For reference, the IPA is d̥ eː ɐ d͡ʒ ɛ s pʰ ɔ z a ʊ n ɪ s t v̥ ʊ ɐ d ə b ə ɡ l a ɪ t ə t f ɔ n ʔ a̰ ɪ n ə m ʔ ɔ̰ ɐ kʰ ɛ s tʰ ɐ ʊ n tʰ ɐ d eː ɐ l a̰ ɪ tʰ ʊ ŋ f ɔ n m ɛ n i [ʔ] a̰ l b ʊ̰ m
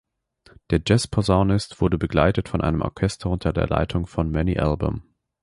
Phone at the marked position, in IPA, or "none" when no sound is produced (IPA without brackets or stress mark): ʔ